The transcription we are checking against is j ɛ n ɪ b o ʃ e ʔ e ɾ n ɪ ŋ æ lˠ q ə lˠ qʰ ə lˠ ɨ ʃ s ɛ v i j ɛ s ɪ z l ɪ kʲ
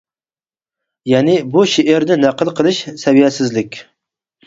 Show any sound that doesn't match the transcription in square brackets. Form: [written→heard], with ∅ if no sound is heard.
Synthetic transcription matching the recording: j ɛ n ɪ b [o→u] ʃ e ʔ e ɾ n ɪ [ŋ→n] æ [lˠ→∅] q ə lˠ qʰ ə lˠ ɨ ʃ s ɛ v i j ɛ s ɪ z l ɪ kʲ